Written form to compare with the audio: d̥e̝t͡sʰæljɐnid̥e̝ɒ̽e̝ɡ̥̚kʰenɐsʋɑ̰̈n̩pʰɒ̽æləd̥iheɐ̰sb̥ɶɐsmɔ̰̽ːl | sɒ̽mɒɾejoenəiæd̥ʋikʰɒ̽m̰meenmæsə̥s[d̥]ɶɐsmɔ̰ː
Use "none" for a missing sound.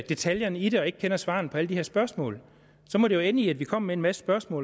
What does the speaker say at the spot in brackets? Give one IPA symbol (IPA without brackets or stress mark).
b̥